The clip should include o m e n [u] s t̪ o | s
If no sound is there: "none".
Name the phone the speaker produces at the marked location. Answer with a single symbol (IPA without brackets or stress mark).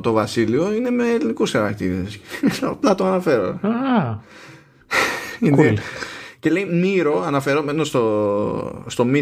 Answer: o